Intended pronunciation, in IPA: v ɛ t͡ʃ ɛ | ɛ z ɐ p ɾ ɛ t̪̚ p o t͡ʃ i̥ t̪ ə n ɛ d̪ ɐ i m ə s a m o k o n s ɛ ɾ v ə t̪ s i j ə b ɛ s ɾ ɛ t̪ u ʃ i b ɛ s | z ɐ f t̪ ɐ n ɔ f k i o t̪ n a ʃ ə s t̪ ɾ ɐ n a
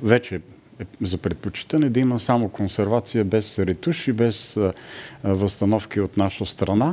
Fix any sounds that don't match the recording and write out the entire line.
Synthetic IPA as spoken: v ɛ t͡ʃ ɛ | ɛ z ɐ p ɾ ɛ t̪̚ p o t͡ʃ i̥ t̪ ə n ɛ d̪ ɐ i m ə s a m o k o n s ɛ ɾ v a t̪ s i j ə b ɛ s ɾ ɛ t̪ u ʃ i b ɛ s | v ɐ s t̪ ɐ n ɔ f k i o t̪ n a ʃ ə s t̪ ɾ ɐ n a